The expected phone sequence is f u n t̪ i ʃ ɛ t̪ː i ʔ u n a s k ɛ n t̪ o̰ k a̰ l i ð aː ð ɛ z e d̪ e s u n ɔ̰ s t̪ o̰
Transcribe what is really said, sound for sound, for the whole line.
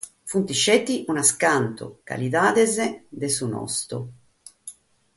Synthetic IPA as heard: f u n t̪ i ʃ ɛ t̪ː i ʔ u n a s k a n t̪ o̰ k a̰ l i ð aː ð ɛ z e d̪ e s u n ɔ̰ s t̪ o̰

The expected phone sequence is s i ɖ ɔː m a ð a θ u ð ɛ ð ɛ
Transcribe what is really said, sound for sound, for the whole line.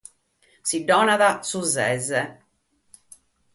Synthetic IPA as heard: s i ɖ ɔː n a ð a s u z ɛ z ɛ

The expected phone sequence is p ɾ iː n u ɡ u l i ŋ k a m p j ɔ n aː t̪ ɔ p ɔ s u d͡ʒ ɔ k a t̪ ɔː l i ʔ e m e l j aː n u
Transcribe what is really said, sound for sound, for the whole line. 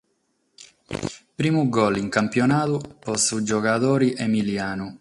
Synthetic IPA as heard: p ɾ iː m u ɡ ɔ l i ŋ k a m p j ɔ n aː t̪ u p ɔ s u d͡ʒ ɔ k a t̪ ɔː ɾ i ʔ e m i l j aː n u

